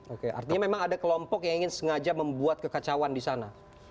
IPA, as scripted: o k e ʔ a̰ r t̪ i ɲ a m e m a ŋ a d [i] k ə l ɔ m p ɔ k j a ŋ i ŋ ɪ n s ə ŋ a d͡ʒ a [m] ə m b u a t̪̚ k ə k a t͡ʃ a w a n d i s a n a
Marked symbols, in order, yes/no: no, yes

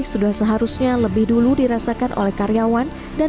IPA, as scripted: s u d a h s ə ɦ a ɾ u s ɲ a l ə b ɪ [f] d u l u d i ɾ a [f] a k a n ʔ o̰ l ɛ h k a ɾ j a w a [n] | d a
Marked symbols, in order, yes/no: no, no, yes

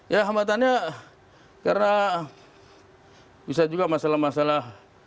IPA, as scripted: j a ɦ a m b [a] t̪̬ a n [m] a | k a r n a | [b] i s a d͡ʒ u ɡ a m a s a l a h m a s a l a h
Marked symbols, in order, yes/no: yes, no, yes

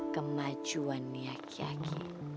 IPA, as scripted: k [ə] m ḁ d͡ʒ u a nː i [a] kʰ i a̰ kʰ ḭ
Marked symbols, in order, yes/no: yes, yes

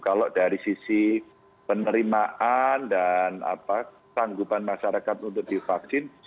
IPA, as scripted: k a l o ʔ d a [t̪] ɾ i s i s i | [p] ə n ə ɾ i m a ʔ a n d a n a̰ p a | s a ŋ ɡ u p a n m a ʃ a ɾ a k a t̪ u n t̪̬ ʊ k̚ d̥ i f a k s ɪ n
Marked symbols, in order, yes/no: no, yes

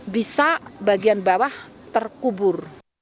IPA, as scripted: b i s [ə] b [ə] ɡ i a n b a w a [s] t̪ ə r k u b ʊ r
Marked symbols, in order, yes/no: no, no, no

